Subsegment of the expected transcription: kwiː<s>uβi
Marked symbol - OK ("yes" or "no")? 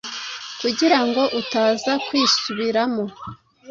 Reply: yes